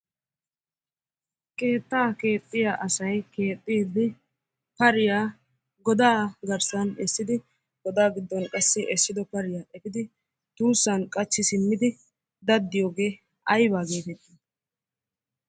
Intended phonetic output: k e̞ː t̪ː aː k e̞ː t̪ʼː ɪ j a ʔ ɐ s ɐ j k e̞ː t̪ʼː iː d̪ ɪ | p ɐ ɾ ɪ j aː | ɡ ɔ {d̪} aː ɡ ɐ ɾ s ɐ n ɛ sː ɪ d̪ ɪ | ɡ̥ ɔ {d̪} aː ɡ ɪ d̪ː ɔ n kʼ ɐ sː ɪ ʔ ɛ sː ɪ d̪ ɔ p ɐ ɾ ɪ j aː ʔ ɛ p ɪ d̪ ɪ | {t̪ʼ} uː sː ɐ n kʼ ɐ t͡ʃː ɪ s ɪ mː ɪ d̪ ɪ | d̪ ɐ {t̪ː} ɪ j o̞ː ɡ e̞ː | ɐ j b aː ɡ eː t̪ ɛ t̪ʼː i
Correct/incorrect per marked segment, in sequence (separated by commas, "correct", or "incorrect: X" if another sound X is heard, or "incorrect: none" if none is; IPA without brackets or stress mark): correct, correct, incorrect: t̪, incorrect: d̪ː